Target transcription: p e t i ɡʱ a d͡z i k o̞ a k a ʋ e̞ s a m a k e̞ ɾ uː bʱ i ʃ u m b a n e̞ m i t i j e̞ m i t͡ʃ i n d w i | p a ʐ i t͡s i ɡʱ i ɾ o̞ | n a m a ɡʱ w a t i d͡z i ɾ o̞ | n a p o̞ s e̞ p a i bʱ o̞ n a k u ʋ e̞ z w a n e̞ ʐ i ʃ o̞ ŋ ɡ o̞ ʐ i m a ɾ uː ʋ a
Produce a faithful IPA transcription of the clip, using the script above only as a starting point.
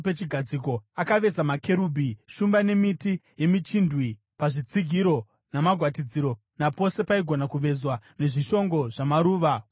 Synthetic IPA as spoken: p e t͡ʃ i ɡʱ a d͡z i k o̞ a k a ʋ e̞ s a m a k e̞ ɾ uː bʱ i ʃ u m b a n e̞ m i t i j e̞ m i t͡ʃ i n d w i | p a ʐ i t͡s i ɡʱ i ɾ o̞ | n a m a ɡʱ w a t i d͡z i ɾ o̞ | n a p o̞ s e̞ p a i ɡʱ o̞ n a k u ʋ e̞ z w a n e̞ ʐ i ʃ o̞ ŋ ɡ o̞ ʐ a m a ɾ uː ʋ a